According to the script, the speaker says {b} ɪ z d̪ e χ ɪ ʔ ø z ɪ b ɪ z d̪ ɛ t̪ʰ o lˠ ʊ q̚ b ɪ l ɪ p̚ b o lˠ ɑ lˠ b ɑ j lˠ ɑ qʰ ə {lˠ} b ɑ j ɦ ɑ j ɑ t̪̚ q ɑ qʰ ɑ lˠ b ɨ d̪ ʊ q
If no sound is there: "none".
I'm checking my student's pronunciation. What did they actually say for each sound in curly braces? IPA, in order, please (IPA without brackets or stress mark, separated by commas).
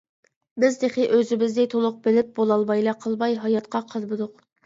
b, lˠ